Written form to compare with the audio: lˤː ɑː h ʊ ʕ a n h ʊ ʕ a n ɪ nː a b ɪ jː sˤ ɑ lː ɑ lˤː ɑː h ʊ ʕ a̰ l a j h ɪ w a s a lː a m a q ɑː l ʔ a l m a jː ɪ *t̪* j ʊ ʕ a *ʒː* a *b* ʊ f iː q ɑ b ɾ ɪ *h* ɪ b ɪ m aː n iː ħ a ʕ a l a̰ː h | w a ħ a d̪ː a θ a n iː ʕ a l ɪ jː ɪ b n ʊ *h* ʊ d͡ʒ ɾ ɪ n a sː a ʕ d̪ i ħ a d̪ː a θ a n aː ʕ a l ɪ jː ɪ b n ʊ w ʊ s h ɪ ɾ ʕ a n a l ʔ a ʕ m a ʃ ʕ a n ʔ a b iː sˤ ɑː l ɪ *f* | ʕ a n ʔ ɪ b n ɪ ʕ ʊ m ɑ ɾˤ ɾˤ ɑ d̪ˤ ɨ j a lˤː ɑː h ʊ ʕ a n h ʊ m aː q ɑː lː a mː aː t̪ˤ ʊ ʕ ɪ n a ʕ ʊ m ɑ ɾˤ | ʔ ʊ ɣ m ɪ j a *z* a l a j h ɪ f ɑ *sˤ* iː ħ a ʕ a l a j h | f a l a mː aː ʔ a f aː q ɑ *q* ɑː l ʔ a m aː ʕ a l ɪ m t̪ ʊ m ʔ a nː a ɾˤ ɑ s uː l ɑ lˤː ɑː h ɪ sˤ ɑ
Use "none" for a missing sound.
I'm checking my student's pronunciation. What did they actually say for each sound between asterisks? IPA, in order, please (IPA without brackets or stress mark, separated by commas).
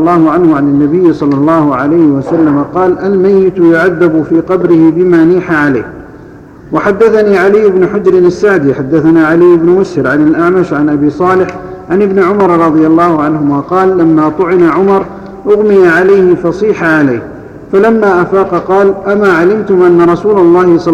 t̪, ðː, b, h, ħ, ħ, ʕ, sˤ, q